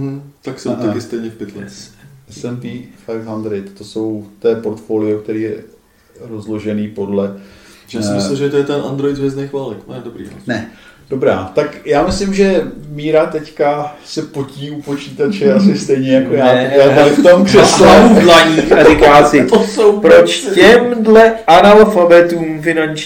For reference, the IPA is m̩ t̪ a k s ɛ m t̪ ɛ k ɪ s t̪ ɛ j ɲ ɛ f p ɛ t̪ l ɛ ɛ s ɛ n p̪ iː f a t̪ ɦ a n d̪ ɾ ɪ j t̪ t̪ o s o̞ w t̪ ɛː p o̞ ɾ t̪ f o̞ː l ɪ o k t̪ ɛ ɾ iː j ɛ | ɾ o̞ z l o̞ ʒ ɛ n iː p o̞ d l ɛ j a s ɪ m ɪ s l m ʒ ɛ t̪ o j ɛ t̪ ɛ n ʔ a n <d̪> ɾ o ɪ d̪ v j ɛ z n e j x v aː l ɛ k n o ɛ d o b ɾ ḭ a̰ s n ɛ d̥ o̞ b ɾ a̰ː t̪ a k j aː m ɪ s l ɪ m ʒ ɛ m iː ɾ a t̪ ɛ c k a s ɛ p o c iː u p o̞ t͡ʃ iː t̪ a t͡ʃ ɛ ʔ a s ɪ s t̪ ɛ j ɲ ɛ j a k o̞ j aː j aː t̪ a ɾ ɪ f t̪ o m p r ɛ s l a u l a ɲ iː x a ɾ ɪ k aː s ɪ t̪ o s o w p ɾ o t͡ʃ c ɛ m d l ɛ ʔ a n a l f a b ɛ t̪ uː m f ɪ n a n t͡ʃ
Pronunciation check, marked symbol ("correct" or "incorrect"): correct